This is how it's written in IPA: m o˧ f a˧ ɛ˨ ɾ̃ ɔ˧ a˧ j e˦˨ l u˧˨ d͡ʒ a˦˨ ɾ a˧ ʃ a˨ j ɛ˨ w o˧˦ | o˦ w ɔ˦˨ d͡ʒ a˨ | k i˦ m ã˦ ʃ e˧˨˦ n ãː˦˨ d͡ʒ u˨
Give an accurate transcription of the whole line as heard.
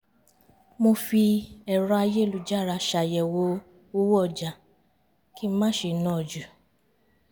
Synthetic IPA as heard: m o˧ f i˧ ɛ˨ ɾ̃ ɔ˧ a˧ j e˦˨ l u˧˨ d͡ʒ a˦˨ ɾ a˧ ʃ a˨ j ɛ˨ w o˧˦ | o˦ w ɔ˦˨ d͡ʒ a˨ | k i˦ m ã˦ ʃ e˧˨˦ n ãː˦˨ d͡ʒ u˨